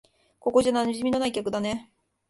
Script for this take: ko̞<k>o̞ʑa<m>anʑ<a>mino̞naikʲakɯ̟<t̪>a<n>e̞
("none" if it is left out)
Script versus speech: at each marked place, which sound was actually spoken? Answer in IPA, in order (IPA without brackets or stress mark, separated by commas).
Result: k, n, i, d̪, n